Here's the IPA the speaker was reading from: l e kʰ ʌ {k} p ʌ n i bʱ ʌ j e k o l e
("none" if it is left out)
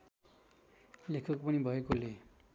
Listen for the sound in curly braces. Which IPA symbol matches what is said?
k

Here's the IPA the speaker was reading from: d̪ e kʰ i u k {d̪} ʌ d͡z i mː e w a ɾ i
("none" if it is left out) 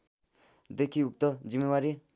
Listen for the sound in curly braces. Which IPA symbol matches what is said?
t̪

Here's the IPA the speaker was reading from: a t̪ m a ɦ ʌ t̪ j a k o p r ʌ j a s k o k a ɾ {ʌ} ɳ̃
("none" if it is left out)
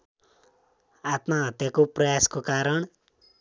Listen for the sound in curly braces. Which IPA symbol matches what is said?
ʌ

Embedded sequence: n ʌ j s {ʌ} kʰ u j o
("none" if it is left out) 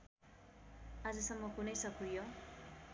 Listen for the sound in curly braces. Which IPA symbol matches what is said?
ʌ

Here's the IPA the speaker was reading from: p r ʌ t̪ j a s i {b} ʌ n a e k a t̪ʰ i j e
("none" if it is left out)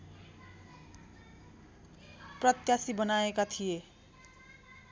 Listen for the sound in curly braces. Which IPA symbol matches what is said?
b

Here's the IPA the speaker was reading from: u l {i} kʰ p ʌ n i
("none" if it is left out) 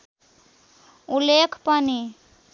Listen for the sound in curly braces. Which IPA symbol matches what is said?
e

